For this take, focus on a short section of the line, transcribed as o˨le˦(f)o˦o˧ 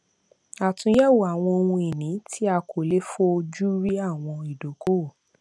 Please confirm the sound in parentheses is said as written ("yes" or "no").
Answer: yes